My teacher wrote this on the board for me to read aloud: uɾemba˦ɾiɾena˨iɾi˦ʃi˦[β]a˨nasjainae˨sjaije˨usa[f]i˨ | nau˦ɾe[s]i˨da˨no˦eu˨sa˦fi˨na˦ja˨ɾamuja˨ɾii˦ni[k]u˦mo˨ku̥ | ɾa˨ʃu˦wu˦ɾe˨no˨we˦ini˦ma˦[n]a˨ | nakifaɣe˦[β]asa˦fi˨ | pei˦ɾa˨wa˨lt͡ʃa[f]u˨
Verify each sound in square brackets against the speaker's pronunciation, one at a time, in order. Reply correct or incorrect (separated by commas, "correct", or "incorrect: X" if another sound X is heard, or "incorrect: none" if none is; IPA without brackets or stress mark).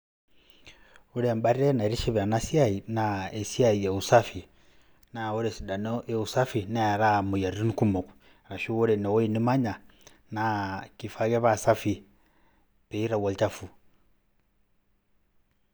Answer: correct, correct, correct, correct, incorrect: ɲ, correct, correct